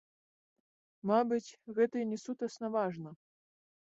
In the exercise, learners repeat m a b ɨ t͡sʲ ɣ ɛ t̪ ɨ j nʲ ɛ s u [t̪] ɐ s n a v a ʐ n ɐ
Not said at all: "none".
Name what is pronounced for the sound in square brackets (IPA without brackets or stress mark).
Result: t̪